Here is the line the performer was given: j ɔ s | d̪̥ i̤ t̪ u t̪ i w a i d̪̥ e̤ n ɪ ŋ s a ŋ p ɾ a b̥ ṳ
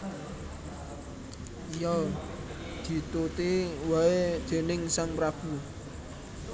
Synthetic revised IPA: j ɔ | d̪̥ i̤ t̪ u t̪ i w a e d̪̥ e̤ n ɪ ŋ s a ŋ p ɾ a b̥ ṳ